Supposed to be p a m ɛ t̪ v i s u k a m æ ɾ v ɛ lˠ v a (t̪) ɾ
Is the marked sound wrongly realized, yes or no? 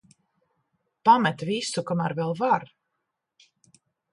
yes